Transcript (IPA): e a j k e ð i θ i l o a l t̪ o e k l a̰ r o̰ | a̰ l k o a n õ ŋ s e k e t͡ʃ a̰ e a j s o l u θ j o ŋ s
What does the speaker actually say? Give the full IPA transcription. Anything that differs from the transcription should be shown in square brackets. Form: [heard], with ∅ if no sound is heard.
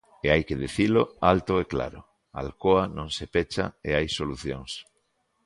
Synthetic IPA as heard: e a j k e ð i θ i l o a l t̪ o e k l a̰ [ɾ] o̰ | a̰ l k o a n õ ŋ s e [p] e t͡ʃ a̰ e a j s o l u θ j o ŋ s

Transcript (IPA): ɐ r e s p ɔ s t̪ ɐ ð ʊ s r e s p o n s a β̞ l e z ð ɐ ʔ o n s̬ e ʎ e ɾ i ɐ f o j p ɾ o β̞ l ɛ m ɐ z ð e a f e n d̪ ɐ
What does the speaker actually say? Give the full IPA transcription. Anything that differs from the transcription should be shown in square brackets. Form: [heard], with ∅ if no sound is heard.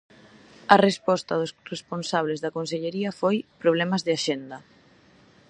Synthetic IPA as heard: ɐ r e s p ɔ s t̪ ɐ ð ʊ s r e s p o n s a β̞ l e z ð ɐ [k] o n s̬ e ʎ e ɾ i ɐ f o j p ɾ o β̞ l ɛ m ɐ z ð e a [ʃ] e n d̪ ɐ

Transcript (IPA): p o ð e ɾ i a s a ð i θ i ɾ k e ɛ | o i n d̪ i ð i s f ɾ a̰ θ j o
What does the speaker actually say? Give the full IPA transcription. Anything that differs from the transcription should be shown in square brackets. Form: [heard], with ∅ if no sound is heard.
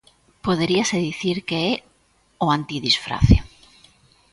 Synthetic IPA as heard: p o ð e ɾ i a s [e] ð i θ i ɾ k e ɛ | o [a] n [t̪] i ð i s f ɾ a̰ θ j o

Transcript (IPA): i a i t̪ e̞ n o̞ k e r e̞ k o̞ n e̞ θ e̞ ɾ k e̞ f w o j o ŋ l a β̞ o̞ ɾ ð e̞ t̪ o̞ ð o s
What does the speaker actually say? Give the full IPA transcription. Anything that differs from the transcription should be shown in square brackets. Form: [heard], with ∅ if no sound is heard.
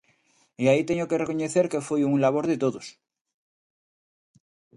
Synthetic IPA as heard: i a i t̪ e̞ [ɲ] o̞ k e r e̞ k o̞ [ɲ] e̞ θ e̞ ɾ k e̞ f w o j [u] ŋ l a β̞ o̞ ɾ ð e̞ t̪ o̞ ð o s

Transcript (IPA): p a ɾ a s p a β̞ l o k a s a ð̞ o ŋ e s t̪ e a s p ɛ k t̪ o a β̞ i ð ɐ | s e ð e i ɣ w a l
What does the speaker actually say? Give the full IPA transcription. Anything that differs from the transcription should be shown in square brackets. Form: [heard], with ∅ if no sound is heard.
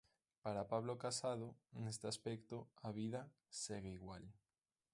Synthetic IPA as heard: p a ɾ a [∅] p a β̞ l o k a s a ð̞ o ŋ e s t̪ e a s p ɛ k t̪ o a β̞ i ð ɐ | s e [ɣ] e i ɣ w a l

